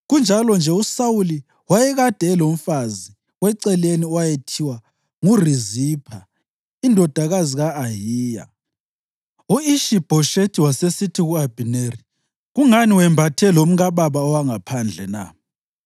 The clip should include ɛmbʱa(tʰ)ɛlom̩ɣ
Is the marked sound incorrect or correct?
correct